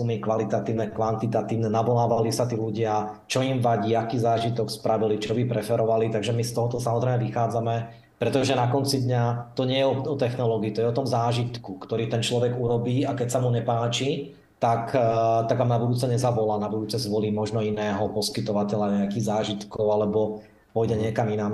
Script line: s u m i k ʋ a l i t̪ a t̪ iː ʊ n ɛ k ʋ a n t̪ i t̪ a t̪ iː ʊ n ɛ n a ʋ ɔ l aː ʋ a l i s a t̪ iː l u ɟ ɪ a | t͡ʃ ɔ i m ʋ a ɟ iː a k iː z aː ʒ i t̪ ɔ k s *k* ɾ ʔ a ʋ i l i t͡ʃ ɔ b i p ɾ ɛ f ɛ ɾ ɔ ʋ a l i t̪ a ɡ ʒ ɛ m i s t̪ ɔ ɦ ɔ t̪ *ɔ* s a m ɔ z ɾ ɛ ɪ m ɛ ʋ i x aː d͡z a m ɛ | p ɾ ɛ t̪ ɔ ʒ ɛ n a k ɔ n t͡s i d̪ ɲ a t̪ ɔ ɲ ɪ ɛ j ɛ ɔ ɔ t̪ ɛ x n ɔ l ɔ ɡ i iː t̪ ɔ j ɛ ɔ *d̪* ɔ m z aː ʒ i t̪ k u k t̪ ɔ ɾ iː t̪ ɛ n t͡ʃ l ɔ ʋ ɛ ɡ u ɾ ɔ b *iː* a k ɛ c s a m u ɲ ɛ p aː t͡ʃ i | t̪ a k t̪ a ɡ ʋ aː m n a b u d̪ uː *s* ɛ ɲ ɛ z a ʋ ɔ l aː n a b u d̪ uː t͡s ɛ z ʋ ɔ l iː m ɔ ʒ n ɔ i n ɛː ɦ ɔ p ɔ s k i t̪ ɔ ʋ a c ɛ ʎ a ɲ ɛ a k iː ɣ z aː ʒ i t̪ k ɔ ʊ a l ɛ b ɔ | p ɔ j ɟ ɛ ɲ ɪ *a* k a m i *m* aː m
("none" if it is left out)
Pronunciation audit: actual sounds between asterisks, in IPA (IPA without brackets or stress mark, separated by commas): p, ɔ, t̪, iː, t͡s, ɛ, n